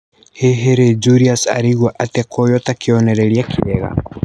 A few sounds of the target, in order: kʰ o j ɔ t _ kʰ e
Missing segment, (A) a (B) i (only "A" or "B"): A